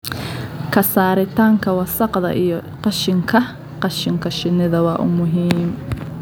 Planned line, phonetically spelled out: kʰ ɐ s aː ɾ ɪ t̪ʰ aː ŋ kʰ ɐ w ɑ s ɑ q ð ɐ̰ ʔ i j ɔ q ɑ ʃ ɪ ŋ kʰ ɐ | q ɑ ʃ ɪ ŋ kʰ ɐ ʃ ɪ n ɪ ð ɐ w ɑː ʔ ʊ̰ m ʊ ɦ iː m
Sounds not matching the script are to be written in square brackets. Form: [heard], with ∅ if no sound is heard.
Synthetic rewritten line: kʰ ɐ s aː ɾ ɪ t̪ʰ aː ŋ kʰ ɐ w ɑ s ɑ q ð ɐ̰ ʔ i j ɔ q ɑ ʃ ɪ ŋ kʰ ɐ | q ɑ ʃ ɪ ŋ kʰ ɐ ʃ ɪ n ɪ ð ɐ w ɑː ʔ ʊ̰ m ʊ ɦ iː m